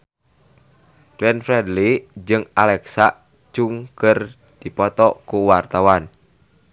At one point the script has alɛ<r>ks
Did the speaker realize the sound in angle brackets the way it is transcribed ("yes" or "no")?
no